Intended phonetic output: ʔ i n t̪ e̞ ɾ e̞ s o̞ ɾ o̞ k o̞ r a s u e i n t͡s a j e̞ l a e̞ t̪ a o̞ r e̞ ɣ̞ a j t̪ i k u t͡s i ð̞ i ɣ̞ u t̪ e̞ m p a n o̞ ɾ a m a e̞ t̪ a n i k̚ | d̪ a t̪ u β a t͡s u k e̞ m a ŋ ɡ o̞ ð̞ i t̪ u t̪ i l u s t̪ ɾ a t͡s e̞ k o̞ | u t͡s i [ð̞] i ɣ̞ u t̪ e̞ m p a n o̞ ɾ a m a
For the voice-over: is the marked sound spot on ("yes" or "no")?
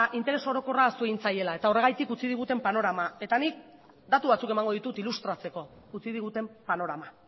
yes